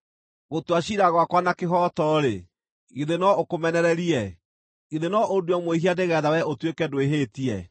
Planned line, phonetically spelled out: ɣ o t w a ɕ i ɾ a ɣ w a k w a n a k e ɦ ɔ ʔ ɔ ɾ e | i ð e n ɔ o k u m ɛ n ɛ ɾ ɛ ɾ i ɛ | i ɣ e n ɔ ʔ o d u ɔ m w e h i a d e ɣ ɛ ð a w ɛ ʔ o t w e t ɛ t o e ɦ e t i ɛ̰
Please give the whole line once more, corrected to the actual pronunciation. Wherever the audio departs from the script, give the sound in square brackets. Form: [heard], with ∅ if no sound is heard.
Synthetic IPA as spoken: ɣ o t w a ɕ i ɾ a ɣ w a k w a n a k e ɦ ɔ [t] ɔ ɾ e | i ð e n ɔ o k [o] m ɛ n ɛ ɾ ɛ ɾ i ɛ | i [ð] e n ɔ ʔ o d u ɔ m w e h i a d e ɣ ɛ ð a w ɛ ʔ o t w e [k] ɛ [d] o e ɦ e t i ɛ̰

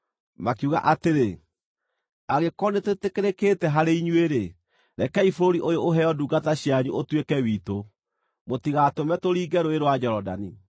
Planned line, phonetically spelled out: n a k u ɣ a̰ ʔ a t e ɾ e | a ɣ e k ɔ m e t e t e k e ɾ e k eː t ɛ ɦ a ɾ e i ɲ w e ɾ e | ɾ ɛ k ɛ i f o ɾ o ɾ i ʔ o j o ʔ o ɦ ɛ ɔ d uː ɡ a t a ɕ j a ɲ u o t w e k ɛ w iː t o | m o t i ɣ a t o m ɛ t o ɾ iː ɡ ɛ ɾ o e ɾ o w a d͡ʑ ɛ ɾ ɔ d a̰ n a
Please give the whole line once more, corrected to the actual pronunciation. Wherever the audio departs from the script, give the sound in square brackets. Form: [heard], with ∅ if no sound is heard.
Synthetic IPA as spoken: [m] a k u ɣ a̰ ʔ a t e ɾ e | a ɣ e k ɔ [n] e t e t e k e ɾ e k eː t ɛ ɦ a ɾ e i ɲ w e ɾ e | ɾ ɛ k ɛ i f o ɾ o ɾ i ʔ o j o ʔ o ɦ ɛ ɔ d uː ɡ a t a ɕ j a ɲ u o t w e k ɛ w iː t o | m o t i ɣ a t o m ɛ t o ɾ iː ɡ ɛ ɾ o e ɾ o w a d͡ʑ ɛ ɾ ɔ d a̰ n [i]

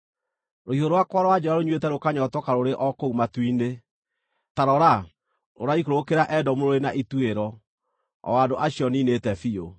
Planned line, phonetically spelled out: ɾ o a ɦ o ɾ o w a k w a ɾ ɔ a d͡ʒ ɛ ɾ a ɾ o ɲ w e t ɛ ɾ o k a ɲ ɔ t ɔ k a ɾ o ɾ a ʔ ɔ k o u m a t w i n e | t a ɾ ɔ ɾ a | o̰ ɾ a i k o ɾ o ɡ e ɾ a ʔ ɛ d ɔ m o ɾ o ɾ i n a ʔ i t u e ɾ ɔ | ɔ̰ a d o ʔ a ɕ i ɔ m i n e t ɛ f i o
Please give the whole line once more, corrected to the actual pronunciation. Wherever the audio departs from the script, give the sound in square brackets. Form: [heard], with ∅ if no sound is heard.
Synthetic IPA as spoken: ɾ o [i] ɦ o ɾ o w a k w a ɾ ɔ a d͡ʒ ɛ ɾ a ɾ o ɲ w e t ɛ ɾ o k a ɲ ɔ t ɔ k a ɾ o ɾ [e] ʔ ɔ k o u m a t w i n e | t a ɾ ɔ ɾ a | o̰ ɾ a i k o ɾ o [k] e ɾ a ʔ ɛ d ɔ m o ɾ o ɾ [e] n a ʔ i t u e ɾ ɔ | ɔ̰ a d o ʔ a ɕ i ɔ [n] i n e t ɛ f i o

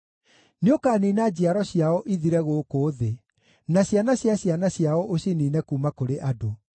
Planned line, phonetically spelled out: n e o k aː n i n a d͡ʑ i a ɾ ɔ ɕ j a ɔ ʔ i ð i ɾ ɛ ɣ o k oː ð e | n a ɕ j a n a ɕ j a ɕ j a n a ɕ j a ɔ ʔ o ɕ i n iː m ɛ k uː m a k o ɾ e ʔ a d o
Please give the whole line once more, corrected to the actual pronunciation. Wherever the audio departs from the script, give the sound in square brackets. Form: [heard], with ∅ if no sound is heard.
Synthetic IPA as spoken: n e o k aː n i n a d͡ʑ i a ɾ ɔ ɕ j a ɔ ʔ i ð i ɾ ɛ ɣ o k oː ð e | n a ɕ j a n a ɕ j a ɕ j a n a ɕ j a ɔ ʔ o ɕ i n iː [n] ɛ k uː m a k o ɾ e ʔ a d o

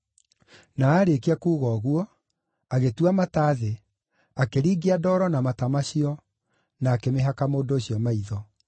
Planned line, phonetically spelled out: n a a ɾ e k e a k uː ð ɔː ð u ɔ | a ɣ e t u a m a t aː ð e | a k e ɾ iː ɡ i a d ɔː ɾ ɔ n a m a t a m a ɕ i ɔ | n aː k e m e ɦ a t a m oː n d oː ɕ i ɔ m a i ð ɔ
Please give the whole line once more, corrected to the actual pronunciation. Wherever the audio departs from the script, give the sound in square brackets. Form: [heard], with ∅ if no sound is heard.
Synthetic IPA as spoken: n a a ɾ e k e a k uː [ɣ] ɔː [ɣ] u ɔ | a ɣ e t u a m a t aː ð e | a k e ɾ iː ɡ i a d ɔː ɾ ɔ n a m a t a m a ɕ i ɔ | n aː k e m e ɦ a [k] a m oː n d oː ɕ i ɔ m a i ð ɔ

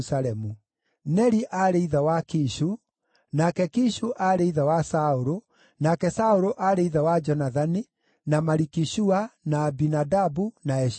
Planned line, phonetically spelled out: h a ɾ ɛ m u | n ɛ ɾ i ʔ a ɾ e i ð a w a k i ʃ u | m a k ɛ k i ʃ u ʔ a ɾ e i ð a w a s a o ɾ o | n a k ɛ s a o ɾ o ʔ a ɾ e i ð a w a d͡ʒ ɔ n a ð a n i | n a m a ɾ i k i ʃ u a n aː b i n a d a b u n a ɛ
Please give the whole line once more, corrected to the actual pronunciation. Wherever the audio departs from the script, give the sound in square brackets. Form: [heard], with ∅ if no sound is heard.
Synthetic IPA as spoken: [s] a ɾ ɛ m u | n ɛ ɾ i ʔ a ɾ e i ð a w a k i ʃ u | [n] a k ɛ k i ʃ u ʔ a ɾ e i ð a w a s a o ɾ o | n a k ɛ s a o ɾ o ʔ a ɾ e i ð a w a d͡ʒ ɔ n a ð a n i | n a m a ɾ i k i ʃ u a n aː b i n a d a b u n a ɛ

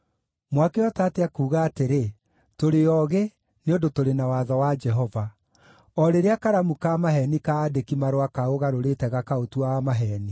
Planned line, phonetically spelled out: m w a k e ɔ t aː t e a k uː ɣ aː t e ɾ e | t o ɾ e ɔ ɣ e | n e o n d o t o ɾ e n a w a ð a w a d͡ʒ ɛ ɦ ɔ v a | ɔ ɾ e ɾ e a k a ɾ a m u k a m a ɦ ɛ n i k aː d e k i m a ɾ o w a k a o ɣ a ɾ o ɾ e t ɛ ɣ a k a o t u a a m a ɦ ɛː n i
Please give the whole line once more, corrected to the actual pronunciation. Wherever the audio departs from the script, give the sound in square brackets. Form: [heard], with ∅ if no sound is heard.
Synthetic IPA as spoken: m w a k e ɔ t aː t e a k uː ɣ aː t e ɾ e | t o ɾ e ɔ ɣ e | n e o n d o t o ɾ e n a w a ð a w a d͡ʒ ɛ ɦ ɔ v a | ɔ ɾ e ɾ e a k a ɾ a m u k a m a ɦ ɛ n i k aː d e k i m a ɾ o w a k a o ɣ a ɾ o ɾ e t ɛ ɣ a k a o t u a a m a ɦ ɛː n i

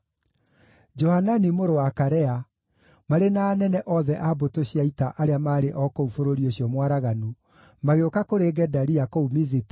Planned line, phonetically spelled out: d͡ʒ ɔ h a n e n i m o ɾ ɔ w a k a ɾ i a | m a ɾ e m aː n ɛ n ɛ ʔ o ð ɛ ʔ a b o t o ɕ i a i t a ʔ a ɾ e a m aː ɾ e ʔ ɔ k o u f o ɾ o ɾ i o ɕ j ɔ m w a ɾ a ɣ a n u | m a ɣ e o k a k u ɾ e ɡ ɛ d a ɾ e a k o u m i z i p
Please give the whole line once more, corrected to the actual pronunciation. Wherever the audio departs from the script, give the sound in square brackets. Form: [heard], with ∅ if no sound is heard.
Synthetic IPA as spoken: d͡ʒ ɔ h a n [a] n i m o ɾ [o] w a k a ɾ [ɛ] a | m a ɾ e [n] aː n ɛ n ɛ ʔ [ɔ] ð ɛ ʔ a b o t o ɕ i a i t a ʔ a ɾ e a m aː ɾ e ʔ ɔ k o u f o ɾ o ɾ i o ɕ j ɔ m w a ɾ a ɣ a n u | m a ɣ e o k a k [o] ɾ e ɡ ɛ d a ɾ [i] a k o u m i z i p

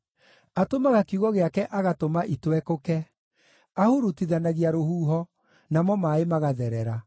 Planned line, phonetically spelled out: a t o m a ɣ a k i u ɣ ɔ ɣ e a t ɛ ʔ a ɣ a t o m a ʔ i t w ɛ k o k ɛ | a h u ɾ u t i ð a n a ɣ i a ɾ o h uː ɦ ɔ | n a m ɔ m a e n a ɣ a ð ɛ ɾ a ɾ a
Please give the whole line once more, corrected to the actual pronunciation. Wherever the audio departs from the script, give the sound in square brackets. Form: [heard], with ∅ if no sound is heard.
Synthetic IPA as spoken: a t o m a ɣ a k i u ɣ ɔ ɣ e a [k] ɛ ʔ a ɣ a t o m a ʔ i t w ɛ k o k ɛ | a h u ɾ u t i ð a n a ɣ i a ɾ o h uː ɦ ɔ | n a m ɔ m a e [m] a ɣ a ð ɛ ɾ [ɛ] ɾ a

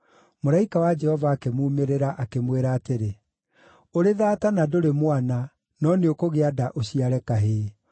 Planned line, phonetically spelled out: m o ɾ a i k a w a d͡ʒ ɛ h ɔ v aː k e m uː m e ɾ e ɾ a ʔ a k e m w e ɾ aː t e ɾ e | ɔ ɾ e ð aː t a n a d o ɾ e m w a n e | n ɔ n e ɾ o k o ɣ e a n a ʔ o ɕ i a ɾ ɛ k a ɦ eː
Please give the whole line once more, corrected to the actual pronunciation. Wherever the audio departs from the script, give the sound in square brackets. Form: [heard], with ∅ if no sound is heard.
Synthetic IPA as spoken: m o ɾ a i k a w a d͡ʒ ɛ h ɔ v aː k e m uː m e ɾ e ɾ a ʔ a k e m w e ɾ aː t e ɾ e | [o] ɾ e ð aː t a n a d o ɾ e m w a n [a] | n ɔ n e [∅] o k o ɣ e a [d] a ʔ o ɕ i a ɾ ɛ k a ɦ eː

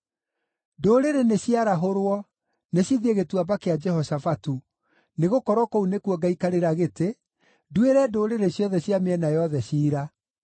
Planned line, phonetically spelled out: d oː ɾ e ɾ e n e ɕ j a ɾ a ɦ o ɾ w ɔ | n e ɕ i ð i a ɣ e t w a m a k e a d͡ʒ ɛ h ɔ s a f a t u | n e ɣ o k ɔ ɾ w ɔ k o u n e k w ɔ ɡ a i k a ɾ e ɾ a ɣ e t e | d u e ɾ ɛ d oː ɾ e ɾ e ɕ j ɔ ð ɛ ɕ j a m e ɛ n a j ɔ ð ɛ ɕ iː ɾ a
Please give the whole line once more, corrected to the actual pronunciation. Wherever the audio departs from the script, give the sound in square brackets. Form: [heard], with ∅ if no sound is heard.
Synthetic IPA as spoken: d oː ɾ e ɾ e n e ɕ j a ɾ a ɦ o ɾ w ɔ | n e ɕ i ð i [e] ɣ e t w a [b] a k e a d͡ʒ ɛ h ɔ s a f a t u | n e ɣ o k ɔ ɾ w ɔ k o u n e k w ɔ ɡ a i k a ɾ e ɾ a ɣ e t e | d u e ɾ ɛ d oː ɾ e ɾ e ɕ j ɔ ð ɛ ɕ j a m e ɛ n a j ɔ ð ɛ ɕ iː ɾ a

